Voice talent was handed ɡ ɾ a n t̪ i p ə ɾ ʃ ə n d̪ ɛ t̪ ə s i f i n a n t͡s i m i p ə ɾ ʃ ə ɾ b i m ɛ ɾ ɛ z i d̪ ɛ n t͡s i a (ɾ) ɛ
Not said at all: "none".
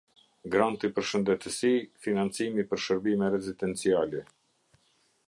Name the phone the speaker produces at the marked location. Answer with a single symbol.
l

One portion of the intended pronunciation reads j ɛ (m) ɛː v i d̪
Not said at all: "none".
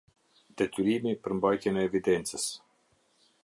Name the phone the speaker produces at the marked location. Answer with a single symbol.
n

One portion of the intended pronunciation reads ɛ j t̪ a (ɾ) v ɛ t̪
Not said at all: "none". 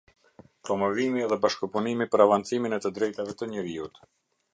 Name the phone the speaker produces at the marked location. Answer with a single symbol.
none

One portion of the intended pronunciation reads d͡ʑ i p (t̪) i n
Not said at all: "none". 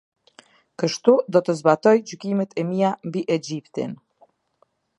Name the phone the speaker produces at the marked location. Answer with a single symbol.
t̪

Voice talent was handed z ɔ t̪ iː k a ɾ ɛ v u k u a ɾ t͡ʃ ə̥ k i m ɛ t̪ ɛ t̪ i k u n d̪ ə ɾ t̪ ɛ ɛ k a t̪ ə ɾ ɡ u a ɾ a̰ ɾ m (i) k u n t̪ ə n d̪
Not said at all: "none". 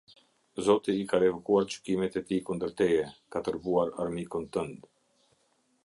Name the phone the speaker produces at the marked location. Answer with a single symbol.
i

